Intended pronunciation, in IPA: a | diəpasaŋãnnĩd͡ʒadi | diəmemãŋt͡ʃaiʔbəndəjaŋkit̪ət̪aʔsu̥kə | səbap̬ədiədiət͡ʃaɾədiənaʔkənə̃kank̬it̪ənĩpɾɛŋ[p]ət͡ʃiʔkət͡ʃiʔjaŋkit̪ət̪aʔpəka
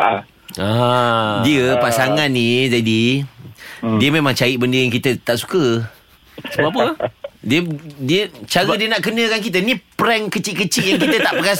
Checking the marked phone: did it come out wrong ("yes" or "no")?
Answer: yes